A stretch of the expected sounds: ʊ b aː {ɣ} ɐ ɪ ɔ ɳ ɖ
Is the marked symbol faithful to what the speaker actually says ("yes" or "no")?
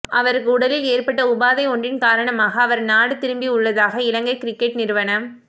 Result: no